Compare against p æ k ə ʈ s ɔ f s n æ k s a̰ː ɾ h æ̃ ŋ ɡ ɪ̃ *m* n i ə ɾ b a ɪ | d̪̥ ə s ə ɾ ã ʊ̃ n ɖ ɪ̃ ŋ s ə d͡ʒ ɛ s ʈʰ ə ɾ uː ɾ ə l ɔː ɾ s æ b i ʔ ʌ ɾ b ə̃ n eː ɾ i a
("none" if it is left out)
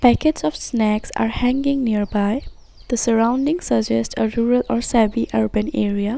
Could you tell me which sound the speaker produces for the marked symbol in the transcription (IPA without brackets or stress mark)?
ŋ